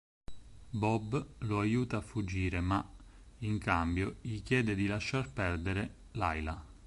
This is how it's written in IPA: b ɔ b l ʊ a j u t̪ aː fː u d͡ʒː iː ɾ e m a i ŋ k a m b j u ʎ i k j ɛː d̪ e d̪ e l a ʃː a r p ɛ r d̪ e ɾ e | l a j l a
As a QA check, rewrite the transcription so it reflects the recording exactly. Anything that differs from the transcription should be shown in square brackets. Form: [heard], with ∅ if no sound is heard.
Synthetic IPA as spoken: b ɔ b l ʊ a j [uː] t̪ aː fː u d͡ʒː iː ɾ e m a i ŋ k a m b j [o] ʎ i k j ɛː d̪ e d̪ [i] l a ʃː a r p ɛ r d̪ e ɾ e | l a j l a

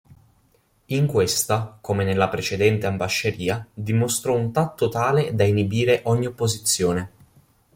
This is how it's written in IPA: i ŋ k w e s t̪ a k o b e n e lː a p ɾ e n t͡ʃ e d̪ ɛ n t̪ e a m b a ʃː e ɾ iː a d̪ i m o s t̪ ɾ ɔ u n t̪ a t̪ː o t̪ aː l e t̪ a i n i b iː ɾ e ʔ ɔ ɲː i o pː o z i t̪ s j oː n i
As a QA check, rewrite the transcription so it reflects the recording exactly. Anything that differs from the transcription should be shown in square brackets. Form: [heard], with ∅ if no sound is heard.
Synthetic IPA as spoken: i ŋ k w e s t̪ a k o [m] e n e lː a p ɾ e [∅] t͡ʃ e d̪ ɛ n t̪ e a m b a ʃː e ɾ iː a d̪ i m o s t̪ ɾ ɔ u n t̪ a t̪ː o t̪ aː l e [d̪] a i n i b iː ɾ e ʔ ɔ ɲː i o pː o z i t̪ [sː] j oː n [e]

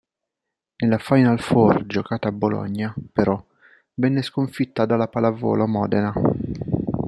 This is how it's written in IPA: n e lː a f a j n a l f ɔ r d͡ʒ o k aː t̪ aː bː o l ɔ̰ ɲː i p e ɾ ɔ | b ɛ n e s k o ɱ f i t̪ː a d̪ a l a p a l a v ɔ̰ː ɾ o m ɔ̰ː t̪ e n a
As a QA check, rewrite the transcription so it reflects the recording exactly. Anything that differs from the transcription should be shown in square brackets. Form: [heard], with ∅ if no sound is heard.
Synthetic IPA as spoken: n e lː a f a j n a l f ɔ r d͡ʒ o k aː t̪ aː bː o l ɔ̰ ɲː [a] p e ɾ ɔ | [v] ɛ [nː] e s k o ɱ f i t̪ː a d̪ a l a p a l a v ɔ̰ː [l] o m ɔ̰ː [d̪] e n a

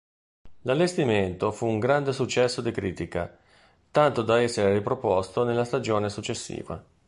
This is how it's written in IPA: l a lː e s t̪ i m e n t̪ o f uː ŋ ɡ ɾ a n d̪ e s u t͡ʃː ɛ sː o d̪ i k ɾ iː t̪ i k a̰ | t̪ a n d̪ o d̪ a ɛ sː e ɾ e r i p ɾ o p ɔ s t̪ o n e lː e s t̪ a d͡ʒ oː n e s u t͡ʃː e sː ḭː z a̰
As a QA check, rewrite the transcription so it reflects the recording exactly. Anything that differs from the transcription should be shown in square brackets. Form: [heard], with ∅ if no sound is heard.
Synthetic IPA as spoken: l a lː e s t̪ i m e n t̪ o f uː ŋ ɡ ɾ a n d̪ e s u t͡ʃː ɛ sː o d̪ i k ɾ iː t̪ i k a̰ | t̪ a n [t̪] o d̪ a ɛ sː e ɾ e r i p ɾ o p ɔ s t̪ o n e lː [a] s t̪ a d͡ʒ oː n e s u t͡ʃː e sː ḭː [v] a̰

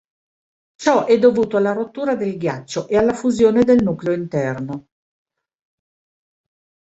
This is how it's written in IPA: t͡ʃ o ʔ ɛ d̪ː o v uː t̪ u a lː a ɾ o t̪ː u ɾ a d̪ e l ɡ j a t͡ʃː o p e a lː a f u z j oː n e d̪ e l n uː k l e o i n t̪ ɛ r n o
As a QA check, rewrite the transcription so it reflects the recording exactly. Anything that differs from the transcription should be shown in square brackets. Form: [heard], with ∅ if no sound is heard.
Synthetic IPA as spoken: t͡ʃ [ɔ] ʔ ɛ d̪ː o v uː t̪ [o] a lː a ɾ o t̪ː [uː] ɾ a d̪ e l ɡ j a t͡ʃː o [ʔ] e a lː a f u z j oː n e d̪ e l n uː k l e o i n t̪ ɛ r n o

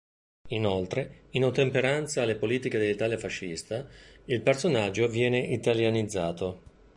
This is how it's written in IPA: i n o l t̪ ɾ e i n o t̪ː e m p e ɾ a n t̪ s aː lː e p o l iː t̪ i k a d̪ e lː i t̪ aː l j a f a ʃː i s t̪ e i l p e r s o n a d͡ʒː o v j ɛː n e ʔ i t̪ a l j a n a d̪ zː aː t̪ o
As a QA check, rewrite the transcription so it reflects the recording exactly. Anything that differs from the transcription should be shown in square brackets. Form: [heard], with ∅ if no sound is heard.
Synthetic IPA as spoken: i n o l t̪ ɾ e i n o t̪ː e m p e ɾ a n t̪ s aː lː e p o l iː t̪ i k [e] d̪ e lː i t̪ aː l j a f a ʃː i s t̪ [a] i l p e r s o n a d͡ʒː o v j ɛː n e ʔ i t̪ a l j a n [i] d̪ zː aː t̪ o

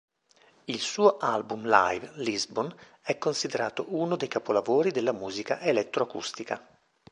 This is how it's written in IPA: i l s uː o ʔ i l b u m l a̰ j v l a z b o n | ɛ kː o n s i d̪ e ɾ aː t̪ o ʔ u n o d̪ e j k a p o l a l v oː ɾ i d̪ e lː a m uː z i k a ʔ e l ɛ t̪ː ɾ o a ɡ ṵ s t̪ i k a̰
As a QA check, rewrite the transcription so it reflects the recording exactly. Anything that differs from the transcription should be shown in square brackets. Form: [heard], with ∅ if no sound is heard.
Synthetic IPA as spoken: i l s uː o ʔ [a] l b u m l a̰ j v l [i] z b o n | ɛ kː o n s i d̪ e ɾ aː t̪ o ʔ u n o d̪ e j k a p o l a [∅] v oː ɾ i d̪ e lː a m uː z i k a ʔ e l ɛ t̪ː ɾ o a [k] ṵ s t̪ i k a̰

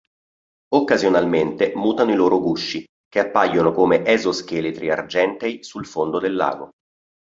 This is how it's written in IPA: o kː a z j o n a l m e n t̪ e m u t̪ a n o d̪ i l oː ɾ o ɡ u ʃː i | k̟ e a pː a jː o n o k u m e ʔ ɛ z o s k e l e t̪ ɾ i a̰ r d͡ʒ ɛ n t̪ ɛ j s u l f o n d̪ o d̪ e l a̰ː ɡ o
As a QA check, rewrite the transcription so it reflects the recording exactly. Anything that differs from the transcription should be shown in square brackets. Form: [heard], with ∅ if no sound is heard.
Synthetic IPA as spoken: o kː a z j o n a l m e n t̪ e m [uː] t̪ a n o [∅] i l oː ɾ o ɡ u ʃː i | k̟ e a pː a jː o n o k [o] m e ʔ ɛ z o s k e l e t̪ ɾ i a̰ r d͡ʒ ɛ n t̪ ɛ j s u l f o n d̪ o d̪ e [lː] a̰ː ɡ o

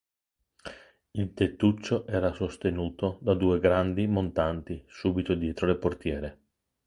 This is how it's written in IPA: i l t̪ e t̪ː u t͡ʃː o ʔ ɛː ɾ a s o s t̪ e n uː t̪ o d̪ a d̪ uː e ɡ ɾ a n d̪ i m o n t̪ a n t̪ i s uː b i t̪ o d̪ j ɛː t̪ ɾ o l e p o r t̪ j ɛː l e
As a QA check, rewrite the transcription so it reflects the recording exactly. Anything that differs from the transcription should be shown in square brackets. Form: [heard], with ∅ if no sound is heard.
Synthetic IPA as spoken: i l t̪ e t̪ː u t͡ʃː o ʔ ɛː ɾ a s o s t̪ e n uː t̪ o d̪ a d̪ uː e ɡ ɾ a n d̪ i m o n t̪ a n t̪ i s uː b i t̪ o d̪ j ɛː t̪ ɾ o l e p o r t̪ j ɛː [ɾ] e

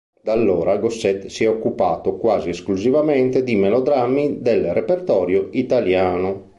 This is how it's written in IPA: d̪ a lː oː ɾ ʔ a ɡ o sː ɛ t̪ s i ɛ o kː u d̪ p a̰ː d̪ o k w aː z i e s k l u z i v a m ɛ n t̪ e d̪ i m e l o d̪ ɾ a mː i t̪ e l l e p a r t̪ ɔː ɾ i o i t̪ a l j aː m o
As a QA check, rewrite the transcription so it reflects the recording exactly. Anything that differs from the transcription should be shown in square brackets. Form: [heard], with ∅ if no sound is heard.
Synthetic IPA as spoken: d̪ a lː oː ɾ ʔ a ɡ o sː ɛ t̪ s i ɛ o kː u [∅] p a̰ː [t̪] o k w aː z i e s k l u z i v a m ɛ n t̪ e d̪ i m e l o d̪ ɾ a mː i [d̪] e l [r] e p [e] r t̪ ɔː ɾ [j] o i t̪ a l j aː [n] o

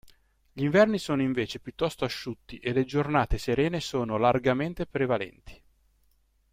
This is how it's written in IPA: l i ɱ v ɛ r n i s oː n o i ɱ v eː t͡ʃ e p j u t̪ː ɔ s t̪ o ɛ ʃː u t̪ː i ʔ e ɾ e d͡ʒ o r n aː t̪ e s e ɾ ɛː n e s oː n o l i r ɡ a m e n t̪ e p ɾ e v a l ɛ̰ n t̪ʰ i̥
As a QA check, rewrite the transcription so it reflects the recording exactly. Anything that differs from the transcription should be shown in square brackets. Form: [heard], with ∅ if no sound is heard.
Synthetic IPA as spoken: [ʎ] i ɱ v ɛ r n i s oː n o i ɱ v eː t͡ʃ e p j u t̪ː ɔ s t̪ o [a] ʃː u t̪ː i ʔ e [l] e d͡ʒ o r n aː t̪ e s e ɾ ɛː n e s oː n o l [a] r ɡ a m e n t̪ e p ɾ e v a l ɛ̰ n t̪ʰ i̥

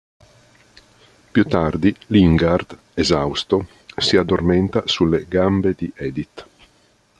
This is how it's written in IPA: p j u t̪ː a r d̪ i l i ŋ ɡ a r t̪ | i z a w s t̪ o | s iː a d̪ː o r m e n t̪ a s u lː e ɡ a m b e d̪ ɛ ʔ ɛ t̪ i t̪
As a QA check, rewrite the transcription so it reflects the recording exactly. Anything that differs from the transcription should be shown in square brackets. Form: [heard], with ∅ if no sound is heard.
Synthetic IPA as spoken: p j u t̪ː a r d̪ i l i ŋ ɡ a r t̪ | [e] z a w s t̪ o | s [i] a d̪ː o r m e n t̪ a s u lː e ɡ a m b e d̪ [i] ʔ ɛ [d̪] i t̪

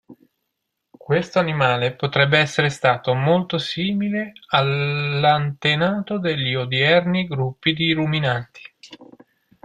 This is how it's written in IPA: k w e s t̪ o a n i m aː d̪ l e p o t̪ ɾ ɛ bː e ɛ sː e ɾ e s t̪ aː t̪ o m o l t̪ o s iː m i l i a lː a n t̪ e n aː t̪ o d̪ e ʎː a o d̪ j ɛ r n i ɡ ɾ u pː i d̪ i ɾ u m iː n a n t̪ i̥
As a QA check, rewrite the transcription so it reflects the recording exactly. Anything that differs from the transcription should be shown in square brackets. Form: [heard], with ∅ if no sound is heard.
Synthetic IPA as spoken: k w e s t̪ o a n i m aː [∅] l e p o t̪ ɾ ɛ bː e ɛ sː e ɾ e s t̪ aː t̪ o m o l t̪ o s iː m i l [e] a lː a n t̪ e n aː t̪ o d̪ e ʎː [i] o d̪ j ɛ r n i ɡ ɾ u pː i d̪ i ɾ u m [i] n a n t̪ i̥

